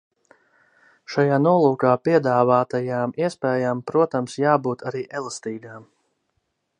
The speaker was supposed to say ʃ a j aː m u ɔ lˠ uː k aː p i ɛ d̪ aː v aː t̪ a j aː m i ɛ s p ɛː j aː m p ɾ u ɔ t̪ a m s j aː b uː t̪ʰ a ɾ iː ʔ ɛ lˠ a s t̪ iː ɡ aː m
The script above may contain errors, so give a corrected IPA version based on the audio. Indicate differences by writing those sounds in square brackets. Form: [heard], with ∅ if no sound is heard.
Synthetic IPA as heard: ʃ a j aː [n] u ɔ lˠ uː k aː p i ɛ d̪ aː v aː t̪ a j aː m i ɛ s p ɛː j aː m p ɾ u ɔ t̪ a m s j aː b uː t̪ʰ a ɾ iː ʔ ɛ lˠ a s t̪ iː ɡ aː m